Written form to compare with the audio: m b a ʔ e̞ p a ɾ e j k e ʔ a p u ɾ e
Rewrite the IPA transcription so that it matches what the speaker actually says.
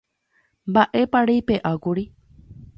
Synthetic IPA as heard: m b a ʔ e̞ p a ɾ e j p e ʔ a k u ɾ i